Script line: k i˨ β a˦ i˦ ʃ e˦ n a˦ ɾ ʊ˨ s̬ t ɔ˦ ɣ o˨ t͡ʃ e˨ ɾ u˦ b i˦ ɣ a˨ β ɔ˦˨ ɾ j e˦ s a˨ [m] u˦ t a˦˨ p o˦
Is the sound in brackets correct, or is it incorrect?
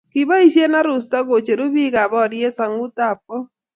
incorrect: ŋ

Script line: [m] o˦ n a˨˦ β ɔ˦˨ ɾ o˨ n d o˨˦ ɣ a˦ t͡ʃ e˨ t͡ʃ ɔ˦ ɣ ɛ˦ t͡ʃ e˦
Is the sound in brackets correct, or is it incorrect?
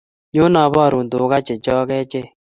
incorrect: ɲ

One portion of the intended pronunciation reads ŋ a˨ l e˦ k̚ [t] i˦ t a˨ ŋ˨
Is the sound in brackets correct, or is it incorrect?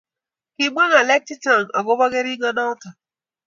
correct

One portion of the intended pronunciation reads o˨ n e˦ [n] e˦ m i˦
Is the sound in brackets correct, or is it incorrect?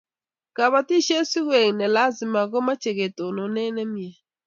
correct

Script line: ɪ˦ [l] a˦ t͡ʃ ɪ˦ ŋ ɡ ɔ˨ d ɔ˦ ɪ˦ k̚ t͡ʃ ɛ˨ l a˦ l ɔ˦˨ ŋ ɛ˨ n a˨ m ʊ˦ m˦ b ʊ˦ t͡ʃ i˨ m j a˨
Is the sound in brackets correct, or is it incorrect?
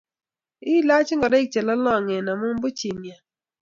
correct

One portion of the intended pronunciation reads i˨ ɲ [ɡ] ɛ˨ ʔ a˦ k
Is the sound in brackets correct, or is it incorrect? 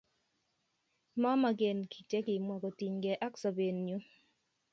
correct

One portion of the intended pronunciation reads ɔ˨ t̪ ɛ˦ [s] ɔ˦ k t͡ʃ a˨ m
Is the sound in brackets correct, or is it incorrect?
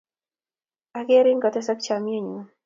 correct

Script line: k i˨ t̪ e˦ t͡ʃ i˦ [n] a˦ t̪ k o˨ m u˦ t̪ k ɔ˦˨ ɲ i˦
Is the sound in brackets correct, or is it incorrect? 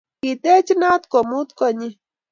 correct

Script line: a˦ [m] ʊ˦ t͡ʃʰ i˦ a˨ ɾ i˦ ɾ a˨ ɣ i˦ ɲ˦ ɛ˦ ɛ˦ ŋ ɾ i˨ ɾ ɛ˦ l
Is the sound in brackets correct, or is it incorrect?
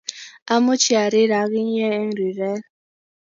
correct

